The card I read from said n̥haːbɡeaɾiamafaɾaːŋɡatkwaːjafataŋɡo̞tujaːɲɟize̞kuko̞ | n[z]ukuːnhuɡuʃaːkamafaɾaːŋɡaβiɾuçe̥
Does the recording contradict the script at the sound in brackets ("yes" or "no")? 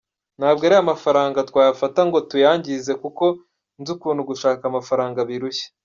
no